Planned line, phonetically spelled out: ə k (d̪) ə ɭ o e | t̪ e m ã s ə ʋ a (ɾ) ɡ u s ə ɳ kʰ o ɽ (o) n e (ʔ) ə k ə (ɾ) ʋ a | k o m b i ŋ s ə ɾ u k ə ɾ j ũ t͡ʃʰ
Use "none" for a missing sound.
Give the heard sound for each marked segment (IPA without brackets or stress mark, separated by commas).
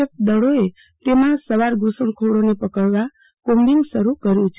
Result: d̪, ɾ, o, p, ɭ